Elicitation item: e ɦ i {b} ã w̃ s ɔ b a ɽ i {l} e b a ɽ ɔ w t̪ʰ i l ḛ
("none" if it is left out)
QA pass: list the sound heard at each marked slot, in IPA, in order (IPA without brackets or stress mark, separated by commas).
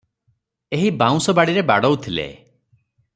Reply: b, ɾ